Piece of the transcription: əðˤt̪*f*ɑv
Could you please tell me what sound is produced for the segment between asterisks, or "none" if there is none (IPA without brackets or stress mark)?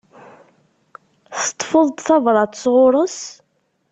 θ